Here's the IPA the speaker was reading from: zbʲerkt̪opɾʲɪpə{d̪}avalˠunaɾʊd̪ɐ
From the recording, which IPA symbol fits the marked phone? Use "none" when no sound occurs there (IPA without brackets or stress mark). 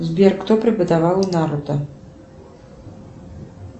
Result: d̪